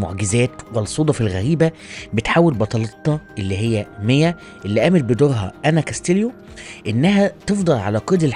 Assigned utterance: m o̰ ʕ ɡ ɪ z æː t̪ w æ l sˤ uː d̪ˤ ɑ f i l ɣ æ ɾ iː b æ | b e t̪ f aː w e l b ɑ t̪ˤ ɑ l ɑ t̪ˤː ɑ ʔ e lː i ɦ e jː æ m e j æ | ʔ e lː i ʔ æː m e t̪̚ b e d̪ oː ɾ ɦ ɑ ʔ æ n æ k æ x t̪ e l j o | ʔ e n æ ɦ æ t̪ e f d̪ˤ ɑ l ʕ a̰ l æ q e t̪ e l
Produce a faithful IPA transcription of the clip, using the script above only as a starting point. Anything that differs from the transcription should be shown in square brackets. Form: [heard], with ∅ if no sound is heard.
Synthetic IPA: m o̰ ʕ ɡ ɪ z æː t̪ w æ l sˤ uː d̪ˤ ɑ f i l ɣ æ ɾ iː b æ | b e t̪ [ħ] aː w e l b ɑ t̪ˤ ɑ l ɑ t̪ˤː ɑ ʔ e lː i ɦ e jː æ m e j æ | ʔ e lː i ʔ æː m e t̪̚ b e d̪ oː ɾ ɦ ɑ ʔ æ n æ k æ [s] t̪ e l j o | ʔ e [nː] æ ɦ æ t̪ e f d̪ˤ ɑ l ʕ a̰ l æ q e [d̪] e l